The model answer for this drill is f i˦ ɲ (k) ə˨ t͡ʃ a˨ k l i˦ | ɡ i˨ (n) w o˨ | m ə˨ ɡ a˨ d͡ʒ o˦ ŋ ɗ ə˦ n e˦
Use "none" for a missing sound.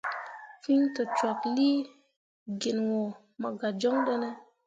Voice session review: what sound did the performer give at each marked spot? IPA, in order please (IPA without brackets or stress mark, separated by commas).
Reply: t, n